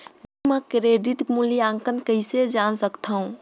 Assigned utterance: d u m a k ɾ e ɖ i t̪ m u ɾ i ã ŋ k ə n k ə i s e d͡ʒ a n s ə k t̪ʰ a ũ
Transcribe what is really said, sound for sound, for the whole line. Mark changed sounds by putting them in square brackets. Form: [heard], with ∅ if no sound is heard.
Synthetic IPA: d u m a k ɾ e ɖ i t̪ m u [l] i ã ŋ k ə n k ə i s e d͡ʒ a n s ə k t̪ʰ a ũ